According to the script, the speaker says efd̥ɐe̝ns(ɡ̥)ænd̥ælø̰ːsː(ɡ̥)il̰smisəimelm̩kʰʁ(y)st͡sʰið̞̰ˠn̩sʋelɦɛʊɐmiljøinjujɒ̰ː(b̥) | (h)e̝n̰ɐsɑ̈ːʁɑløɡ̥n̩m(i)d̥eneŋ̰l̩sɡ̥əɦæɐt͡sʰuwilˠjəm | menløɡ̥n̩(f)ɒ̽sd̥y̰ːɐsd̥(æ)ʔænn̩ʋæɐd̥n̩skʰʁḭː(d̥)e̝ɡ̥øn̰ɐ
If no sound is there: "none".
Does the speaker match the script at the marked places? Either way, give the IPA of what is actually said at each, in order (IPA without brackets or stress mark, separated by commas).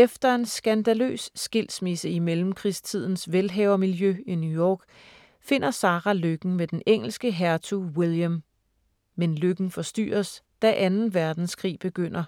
ɡ̥, ɡ̥, i, ɡ̥, f, e, f, æ, b̥